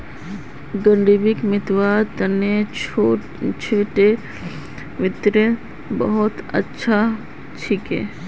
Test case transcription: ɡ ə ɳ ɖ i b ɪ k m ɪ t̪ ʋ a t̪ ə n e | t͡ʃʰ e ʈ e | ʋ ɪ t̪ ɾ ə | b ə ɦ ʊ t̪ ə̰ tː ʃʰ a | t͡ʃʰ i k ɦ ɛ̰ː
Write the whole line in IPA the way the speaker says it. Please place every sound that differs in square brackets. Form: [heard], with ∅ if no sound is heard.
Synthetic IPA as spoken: ɡ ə ɳ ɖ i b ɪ k m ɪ t̪ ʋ a t̪ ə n e | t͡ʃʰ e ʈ e | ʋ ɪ t̪ ɾ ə | b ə ɦ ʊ t̪ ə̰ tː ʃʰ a | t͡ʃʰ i k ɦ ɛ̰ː